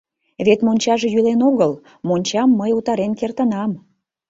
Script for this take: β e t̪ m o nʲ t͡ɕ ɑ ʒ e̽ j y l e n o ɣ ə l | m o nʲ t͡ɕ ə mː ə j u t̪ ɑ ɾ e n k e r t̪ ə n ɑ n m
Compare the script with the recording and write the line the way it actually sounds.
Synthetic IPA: β e t̪ m o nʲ t͡ɕ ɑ ʒ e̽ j y l e n o ɣ ə l | m o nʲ t͡ɕ ɑ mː ə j u t̪ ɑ ɾ e n k e r t̪ ə n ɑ m